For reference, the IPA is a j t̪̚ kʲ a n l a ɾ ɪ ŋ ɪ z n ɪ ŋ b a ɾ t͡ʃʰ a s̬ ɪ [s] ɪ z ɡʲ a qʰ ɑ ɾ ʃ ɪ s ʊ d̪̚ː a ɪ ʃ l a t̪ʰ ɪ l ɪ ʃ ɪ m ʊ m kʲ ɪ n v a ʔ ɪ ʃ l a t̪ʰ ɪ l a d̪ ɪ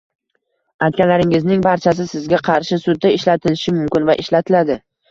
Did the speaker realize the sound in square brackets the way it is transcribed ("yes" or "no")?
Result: yes